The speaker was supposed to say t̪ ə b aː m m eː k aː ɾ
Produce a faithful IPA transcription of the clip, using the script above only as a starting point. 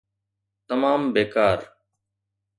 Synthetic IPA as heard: t̪ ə m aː m b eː k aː ɾ